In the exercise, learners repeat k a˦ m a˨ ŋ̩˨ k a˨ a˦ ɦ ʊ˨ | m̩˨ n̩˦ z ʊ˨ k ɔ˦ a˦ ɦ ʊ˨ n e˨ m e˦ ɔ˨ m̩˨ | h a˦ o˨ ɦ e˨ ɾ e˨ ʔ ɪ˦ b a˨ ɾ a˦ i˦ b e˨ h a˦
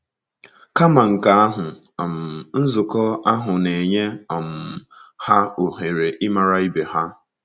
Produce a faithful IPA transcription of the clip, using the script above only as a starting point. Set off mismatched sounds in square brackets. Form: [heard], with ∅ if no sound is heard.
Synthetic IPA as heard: k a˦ m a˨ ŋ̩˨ k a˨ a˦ ɦ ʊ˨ | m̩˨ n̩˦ z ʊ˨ k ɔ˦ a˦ ɦ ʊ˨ n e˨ [ɲ] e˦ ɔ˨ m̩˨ | h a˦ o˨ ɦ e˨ ɾ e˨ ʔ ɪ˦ [m] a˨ ɾ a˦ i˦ b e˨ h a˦